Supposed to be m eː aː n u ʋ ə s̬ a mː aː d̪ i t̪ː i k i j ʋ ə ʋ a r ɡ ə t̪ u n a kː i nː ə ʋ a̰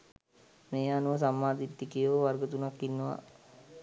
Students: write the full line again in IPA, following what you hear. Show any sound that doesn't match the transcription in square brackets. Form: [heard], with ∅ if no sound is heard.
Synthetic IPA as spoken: m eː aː n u ʋ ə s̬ a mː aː d̪ i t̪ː i k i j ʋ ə ʋ a r ɡ ə t̪ u n a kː i nː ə ʋ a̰